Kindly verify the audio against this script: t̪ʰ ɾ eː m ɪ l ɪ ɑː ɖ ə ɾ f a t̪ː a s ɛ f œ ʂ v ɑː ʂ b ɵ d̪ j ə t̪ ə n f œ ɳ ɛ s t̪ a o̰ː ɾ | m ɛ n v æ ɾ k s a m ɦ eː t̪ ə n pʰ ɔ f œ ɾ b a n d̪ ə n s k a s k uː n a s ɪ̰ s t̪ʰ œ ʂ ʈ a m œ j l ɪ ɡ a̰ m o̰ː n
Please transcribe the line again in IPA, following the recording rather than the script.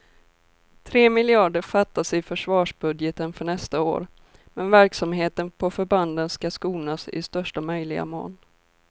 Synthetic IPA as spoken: t̪ʰ ɾ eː m ɪ l ɪ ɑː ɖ ə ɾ f a t̪ː a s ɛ f œ ʂ v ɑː ʂ b ɵ d̪ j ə t̪ ə n f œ ɳ ɛ s t̪ a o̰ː ɾ | m ɛ n v æ ɾ k s a m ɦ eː t̪ ə n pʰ ɔ f œ ɾ b a n d̪ ə n s k a s k uː n a s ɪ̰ s t̪ œ ʂ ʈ a m œ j l ɪ ɡ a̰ m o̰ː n